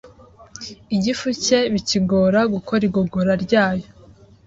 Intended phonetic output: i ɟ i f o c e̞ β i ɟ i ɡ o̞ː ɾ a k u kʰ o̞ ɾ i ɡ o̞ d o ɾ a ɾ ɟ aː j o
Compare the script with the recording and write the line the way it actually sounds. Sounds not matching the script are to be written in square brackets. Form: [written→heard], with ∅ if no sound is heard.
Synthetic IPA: i ɟ i f [o→u] c e̞ β i [ɟ→c] i ɡ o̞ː ɾ a [k→ɡ] u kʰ o̞ ɾ i ɡ o̞ [d→ɡ] o ɾ a ɾ ɟ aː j o